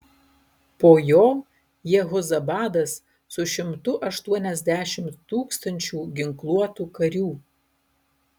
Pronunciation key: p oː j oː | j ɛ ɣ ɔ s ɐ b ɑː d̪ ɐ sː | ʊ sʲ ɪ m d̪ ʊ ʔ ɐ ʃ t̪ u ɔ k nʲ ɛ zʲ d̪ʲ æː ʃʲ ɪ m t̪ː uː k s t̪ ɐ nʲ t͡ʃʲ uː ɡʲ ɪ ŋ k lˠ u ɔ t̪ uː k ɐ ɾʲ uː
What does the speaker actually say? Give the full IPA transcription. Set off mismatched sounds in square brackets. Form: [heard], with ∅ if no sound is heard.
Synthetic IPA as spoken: p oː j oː | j ɛ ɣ ɔ [z] ɐ b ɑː d̪ ɐ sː | ʊ [ʃʲ] ɪ m [t̪] ʊ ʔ ɐ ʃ t̪ u ɔ [∅] nʲ ɛ zʲ d̪ʲ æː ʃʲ ɪ m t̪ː uː k s t̪ ɐ nʲ t͡ʃʲ uː ɡʲ ɪ ŋ k lˠ u ɔ t̪ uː k ɐ ɾʲ uː